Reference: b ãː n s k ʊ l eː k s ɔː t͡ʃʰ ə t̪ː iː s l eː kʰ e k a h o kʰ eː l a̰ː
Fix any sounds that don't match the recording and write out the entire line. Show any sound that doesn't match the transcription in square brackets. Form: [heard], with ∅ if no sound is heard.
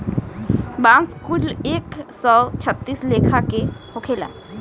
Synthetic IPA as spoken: b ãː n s k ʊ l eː k s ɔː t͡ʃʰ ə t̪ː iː s l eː kʰ [a] k [e] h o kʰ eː l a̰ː